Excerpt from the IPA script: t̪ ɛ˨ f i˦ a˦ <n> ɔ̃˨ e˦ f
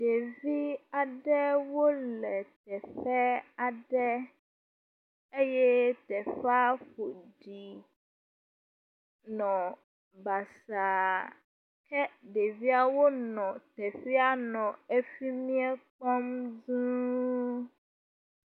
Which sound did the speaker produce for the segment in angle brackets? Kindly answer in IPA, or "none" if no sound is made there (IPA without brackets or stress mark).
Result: n